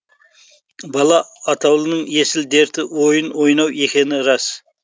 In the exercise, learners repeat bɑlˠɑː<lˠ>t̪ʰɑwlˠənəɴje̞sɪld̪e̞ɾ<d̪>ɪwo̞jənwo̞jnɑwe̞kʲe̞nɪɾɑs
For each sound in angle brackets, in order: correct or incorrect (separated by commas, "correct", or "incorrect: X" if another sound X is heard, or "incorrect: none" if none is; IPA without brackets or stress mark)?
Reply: incorrect: none, incorrect: t̪